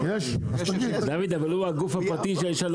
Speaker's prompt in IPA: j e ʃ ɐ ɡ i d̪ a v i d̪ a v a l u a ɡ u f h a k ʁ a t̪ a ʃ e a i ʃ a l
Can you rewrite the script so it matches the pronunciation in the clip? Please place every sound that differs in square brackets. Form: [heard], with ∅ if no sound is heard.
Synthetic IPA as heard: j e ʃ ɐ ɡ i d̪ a v i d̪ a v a l u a ɡ u f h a [p] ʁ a t̪ [i] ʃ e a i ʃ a l